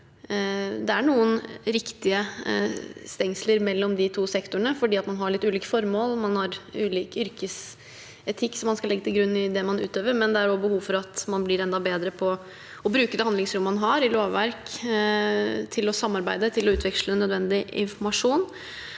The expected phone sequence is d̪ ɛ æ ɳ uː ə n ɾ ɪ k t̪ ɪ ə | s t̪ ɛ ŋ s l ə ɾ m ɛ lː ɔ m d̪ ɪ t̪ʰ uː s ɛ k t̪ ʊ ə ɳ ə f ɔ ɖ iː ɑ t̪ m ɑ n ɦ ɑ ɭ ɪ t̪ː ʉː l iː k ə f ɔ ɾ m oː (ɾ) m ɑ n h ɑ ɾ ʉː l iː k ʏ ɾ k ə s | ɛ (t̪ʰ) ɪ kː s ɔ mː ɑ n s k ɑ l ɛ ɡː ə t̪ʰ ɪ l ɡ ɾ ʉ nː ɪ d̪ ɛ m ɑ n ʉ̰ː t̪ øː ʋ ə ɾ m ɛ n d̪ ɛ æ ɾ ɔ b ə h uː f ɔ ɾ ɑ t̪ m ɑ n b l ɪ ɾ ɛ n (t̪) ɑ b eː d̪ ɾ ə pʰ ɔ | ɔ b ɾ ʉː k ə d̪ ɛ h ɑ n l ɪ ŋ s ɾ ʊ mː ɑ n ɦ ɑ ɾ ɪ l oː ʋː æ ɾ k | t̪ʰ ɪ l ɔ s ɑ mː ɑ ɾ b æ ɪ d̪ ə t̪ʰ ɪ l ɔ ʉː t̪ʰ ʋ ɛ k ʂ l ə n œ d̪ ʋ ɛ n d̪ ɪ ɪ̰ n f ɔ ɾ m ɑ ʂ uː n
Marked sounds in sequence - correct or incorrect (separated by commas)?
incorrect, correct, incorrect